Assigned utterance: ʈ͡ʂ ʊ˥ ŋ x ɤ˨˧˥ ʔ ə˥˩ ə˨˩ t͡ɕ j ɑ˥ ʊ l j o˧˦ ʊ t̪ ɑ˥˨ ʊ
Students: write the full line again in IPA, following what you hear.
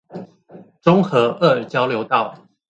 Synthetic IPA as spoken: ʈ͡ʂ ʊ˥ ŋ x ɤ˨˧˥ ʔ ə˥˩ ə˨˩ t͡ɕ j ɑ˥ ʊ l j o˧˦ ʊ t̪ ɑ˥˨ ʊ